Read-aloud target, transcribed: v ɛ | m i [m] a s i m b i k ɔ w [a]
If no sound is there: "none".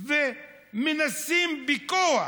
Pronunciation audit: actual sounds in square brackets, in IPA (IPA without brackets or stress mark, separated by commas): n, a